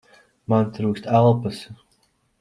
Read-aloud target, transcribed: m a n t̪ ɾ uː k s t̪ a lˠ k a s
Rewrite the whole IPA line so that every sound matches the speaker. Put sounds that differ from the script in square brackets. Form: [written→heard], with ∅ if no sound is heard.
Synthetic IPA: m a n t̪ ɾ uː k s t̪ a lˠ [k→p] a s